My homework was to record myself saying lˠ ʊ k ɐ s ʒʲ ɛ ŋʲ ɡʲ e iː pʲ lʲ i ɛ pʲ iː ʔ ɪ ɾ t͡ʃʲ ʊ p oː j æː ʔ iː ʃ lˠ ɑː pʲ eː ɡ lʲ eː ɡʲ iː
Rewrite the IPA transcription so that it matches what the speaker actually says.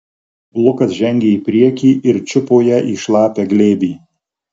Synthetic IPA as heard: lˠ ʊ k ɐ s ʒʲ ɛ ŋʲ ɡʲ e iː pʲ ɾʲ i ɛ kʲ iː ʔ ɪ ɾ t͡ʃʲ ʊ p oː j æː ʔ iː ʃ lˠ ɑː pʲ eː ɡ lʲ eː bʲ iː